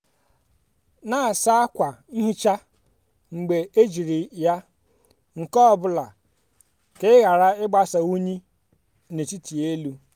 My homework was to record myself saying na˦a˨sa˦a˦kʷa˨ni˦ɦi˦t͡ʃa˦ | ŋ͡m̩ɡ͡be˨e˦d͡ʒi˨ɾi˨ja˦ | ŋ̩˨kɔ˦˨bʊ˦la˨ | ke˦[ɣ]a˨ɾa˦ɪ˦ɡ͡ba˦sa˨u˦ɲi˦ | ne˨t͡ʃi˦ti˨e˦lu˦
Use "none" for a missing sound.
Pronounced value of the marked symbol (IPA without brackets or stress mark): ɣ